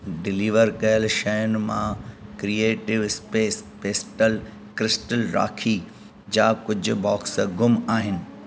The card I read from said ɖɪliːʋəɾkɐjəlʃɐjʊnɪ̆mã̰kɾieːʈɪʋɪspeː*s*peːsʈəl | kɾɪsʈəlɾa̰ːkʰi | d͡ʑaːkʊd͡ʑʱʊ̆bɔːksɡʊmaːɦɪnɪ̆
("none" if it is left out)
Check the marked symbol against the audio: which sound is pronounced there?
s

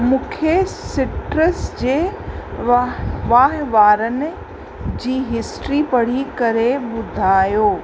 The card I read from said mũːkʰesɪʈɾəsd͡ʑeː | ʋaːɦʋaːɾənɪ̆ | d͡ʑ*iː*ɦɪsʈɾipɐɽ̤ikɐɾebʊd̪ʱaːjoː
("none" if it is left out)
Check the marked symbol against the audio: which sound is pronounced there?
iː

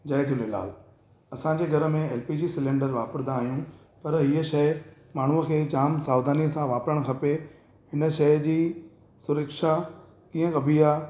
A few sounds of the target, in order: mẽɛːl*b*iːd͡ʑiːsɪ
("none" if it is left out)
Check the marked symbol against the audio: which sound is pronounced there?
p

